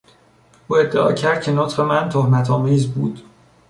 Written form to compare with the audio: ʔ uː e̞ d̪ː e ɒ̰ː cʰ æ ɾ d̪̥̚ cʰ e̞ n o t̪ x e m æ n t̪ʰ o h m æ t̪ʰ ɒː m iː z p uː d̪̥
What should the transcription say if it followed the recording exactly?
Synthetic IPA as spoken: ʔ uː e̞ d̪ː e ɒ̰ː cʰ æ ɾ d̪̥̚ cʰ e̞ n o t̪ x e m æ n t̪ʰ o h m æ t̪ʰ ɒː m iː z b uː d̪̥